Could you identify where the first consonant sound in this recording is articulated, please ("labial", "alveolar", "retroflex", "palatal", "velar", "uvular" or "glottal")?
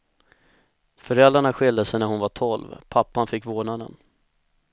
labial